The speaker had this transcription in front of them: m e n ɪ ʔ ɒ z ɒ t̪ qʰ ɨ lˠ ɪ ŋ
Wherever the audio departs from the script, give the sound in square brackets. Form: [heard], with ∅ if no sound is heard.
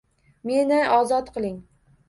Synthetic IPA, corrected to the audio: m e n ɪ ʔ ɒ z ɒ t̪ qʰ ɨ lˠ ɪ ŋ